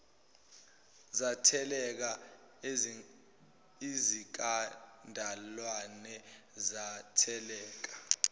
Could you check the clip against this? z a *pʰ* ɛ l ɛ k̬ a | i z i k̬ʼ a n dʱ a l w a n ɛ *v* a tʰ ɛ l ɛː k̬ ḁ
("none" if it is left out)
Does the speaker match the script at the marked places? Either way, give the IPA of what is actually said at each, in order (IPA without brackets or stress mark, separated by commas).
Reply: tʰ, z